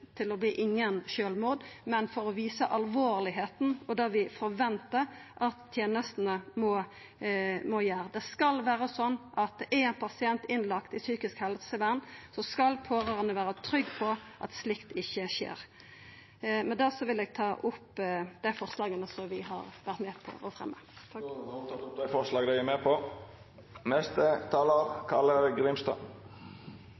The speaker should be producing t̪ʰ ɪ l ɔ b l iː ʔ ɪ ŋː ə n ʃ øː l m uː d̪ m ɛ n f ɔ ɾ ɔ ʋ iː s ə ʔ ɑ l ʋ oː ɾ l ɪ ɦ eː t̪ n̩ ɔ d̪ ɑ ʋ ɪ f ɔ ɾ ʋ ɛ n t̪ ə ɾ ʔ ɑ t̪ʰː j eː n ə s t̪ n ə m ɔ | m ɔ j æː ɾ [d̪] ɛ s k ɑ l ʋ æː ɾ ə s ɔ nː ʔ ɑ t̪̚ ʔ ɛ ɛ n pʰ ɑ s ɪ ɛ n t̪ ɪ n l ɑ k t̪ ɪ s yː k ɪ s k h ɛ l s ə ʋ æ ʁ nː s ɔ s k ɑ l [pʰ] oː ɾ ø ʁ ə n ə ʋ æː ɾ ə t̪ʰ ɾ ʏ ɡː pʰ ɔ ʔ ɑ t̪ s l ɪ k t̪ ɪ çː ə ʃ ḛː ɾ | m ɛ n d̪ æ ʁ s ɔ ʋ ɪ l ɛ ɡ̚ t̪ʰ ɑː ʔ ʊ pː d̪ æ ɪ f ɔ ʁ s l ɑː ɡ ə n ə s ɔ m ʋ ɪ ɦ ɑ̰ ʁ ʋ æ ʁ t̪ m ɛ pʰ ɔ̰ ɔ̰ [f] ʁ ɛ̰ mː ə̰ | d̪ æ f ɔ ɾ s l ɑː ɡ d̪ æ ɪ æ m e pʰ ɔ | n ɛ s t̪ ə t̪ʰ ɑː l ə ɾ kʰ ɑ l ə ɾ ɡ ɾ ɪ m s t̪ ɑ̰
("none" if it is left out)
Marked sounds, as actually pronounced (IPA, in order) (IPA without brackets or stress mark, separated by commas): d̪, pʰ, f